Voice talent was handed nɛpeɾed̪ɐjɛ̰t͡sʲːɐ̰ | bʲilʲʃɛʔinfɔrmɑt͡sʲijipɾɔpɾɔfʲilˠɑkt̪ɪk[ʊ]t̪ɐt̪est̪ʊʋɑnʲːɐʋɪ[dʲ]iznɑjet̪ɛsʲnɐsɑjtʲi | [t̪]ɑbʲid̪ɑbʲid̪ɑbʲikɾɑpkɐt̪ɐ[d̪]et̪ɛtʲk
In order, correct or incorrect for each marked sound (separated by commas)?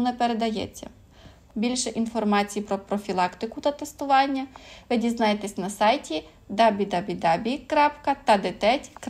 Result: correct, correct, incorrect, correct